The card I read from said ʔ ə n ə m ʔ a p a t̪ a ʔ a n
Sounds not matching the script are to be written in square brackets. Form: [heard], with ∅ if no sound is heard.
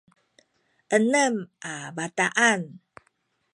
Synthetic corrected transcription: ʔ ə n ə m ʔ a [b] a t̪ a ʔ a n